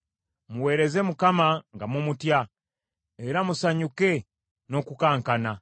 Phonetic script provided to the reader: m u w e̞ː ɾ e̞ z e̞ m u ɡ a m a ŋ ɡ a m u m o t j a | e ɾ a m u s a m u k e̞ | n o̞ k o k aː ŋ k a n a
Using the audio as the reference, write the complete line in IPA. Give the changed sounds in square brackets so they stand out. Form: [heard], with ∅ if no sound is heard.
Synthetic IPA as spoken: m u w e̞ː ɾ e̞ z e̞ m u [k] a m a ŋ ɡ a m u m [u] t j a | e ɾ a m u s a [ɲ] u k e̞ | n o̞ k [u] k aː ŋ k a n a